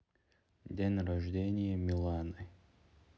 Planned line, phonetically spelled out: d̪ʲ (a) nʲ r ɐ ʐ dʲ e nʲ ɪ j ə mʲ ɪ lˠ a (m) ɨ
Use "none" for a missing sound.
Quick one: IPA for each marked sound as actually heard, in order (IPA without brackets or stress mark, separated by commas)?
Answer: e, n